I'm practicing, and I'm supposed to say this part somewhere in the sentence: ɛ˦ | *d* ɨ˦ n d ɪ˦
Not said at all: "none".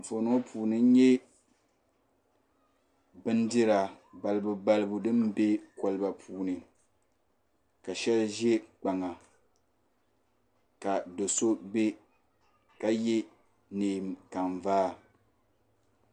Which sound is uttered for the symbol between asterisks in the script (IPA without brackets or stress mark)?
b